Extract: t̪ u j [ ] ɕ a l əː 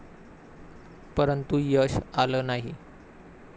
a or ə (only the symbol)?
ə